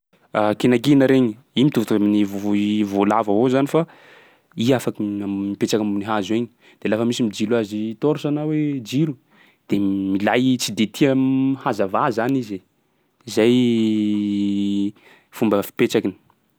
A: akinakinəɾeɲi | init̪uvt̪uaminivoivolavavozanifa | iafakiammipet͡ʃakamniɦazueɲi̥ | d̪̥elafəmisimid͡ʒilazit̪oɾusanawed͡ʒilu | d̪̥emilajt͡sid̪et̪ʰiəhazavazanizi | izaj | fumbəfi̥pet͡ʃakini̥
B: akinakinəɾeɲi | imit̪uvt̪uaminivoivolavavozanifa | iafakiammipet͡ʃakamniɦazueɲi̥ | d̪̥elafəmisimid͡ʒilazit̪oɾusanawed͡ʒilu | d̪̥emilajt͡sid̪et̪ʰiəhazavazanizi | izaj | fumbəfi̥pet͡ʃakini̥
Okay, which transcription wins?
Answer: B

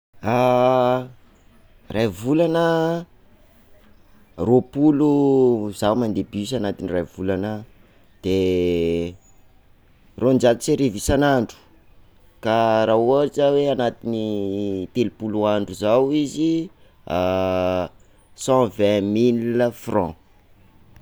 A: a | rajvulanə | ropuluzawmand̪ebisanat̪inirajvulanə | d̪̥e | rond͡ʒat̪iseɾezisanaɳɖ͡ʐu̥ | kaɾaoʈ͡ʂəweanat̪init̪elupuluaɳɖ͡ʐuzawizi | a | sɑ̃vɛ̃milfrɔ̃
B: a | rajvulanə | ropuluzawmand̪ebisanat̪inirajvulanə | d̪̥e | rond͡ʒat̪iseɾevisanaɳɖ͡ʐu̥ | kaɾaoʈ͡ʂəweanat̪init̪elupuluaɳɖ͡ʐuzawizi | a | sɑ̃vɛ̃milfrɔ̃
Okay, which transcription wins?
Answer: B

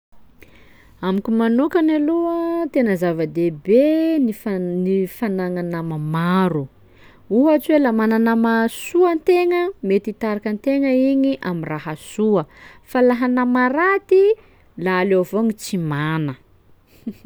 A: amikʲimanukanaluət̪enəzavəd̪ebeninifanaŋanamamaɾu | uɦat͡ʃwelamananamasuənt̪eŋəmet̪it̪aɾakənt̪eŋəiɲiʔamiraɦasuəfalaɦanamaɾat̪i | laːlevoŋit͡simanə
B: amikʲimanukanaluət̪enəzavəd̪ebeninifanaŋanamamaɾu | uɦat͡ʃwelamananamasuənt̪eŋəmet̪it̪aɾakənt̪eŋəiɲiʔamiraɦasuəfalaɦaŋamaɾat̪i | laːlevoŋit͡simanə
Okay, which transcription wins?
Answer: A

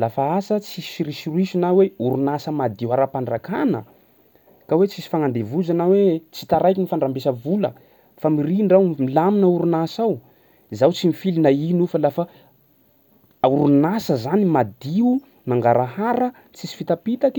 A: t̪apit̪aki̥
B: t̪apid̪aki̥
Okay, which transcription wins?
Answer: A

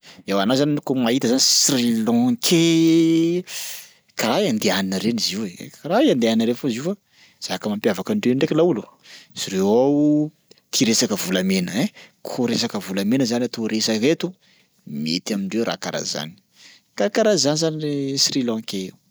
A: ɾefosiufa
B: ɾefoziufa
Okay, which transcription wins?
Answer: B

